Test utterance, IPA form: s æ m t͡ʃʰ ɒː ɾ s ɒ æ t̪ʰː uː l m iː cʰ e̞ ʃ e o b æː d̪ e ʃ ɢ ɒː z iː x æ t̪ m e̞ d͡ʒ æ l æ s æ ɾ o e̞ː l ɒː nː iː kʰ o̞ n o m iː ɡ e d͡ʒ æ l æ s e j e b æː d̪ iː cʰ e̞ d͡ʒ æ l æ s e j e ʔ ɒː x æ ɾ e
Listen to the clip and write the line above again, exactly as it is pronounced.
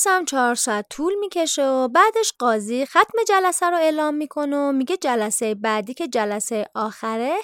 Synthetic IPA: s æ m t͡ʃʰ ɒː ɾ s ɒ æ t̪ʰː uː l m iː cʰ e̞ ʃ e o b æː d̪ e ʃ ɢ ɒː z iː x æ t̪ m e̞ d͡ʒ æ l æ s æ ɾ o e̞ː l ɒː mː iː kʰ o̞ n o m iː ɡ e d͡ʒ æ l æ s e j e b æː d̪ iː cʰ e̞ d͡ʒ æ l æ s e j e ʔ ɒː x æ ɾ e